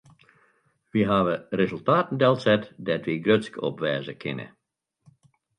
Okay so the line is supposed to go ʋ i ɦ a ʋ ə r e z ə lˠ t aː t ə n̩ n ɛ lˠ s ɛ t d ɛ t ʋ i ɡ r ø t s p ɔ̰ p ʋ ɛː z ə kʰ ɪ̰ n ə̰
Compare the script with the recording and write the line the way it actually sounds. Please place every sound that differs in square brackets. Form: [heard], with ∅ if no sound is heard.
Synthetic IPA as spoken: ʋ i ɦ a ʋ ə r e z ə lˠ t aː t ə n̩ [d] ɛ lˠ s ɛ t d ɛ t ʋ i ɡ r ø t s [k] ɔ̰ p ʋ ɛː z ə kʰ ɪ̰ n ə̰